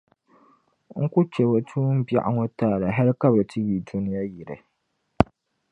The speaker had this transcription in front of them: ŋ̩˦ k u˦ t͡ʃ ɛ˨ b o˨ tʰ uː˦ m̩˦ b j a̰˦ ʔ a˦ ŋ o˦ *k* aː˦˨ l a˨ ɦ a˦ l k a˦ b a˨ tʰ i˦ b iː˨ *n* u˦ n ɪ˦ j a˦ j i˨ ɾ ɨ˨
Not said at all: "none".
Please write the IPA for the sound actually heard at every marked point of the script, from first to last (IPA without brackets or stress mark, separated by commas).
t, d